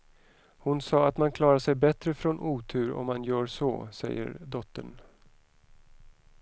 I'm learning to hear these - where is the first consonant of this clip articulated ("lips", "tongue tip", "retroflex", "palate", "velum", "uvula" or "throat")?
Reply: throat